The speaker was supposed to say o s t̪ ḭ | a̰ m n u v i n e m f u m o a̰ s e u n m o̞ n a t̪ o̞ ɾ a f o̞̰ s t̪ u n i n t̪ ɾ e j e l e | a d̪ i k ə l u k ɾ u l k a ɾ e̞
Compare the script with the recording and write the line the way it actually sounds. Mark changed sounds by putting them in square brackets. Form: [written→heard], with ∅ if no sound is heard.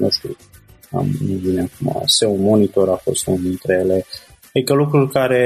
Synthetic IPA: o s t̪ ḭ | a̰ m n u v i n e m f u m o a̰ s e u n m o̞ n [a→i] t̪ o̞ ɾ a f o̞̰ s t̪ u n i n t̪ ɾ e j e l e | a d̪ i k ə l u k ɾ u l k a ɾ e̞